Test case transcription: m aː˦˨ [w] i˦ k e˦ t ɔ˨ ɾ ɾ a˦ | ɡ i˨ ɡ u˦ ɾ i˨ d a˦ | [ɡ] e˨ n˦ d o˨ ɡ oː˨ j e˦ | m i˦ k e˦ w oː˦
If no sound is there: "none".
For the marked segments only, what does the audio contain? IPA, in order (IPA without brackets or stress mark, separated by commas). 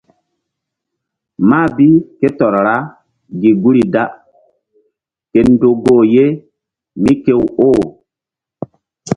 b, k